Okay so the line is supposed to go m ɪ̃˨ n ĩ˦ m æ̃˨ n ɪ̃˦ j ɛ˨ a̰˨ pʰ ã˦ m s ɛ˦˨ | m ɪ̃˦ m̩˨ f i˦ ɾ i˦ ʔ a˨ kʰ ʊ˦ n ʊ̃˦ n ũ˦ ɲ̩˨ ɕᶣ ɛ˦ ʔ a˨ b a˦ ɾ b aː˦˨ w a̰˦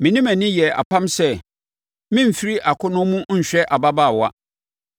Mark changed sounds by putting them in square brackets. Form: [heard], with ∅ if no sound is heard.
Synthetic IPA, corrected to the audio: m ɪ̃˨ n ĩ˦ m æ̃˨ n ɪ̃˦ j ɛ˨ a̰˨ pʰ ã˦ m s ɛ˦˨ | m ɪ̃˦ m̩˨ f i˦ ɾ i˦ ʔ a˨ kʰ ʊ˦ n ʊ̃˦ [m] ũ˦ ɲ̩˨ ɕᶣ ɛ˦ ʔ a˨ b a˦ [∅] b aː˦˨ w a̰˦